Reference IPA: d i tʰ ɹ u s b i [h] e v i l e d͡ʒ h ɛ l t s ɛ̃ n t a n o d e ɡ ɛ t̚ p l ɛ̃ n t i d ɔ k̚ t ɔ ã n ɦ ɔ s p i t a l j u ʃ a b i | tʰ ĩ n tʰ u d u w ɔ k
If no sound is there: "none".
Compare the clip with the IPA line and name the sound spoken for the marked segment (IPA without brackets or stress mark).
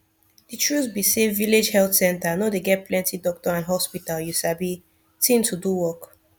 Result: s